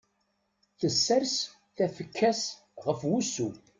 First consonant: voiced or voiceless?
voiceless